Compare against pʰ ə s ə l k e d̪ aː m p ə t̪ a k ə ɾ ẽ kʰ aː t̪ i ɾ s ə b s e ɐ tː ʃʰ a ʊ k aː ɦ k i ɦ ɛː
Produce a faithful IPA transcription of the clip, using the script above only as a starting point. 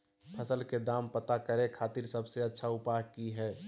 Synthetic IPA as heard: pʰ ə s ə l k e d̪ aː m p ə t̪ a k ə ɾ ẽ kʰ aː t̪ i ɾ s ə b s e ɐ tː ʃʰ a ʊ p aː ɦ k i ɦ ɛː